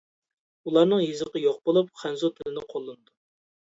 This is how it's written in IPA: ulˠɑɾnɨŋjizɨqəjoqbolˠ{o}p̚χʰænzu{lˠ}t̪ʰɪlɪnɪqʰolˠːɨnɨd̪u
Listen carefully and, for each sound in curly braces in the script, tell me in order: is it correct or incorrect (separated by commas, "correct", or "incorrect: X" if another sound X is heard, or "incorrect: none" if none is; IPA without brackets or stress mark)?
incorrect: u, incorrect: none